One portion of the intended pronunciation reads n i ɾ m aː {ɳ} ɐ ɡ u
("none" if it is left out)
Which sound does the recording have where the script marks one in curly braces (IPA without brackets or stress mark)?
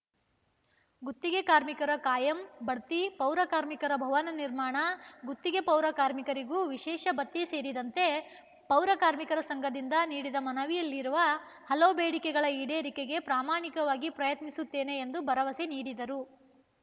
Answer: ɳ